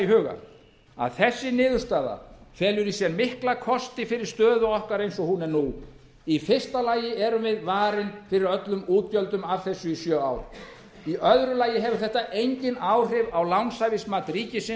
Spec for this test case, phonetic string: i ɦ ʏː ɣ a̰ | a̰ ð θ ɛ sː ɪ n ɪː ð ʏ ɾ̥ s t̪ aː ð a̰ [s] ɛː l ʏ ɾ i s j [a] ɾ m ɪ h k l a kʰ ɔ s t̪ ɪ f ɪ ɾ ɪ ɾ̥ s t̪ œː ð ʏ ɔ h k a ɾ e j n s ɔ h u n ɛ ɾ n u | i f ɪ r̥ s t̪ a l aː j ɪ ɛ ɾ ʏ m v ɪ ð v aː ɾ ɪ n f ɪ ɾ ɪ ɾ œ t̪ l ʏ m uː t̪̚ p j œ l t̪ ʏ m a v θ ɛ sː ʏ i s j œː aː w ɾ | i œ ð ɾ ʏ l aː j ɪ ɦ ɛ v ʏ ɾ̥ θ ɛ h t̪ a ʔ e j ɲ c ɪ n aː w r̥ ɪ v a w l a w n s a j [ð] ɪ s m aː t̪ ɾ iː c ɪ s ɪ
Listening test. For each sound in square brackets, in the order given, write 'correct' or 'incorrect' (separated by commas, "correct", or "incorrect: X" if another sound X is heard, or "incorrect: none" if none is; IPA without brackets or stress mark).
incorrect: f, incorrect: ɛ, incorrect: v